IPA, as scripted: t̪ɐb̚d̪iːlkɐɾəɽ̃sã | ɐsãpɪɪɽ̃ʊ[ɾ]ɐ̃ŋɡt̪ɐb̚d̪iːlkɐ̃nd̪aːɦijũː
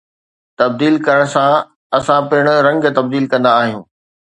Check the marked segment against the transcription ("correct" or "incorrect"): correct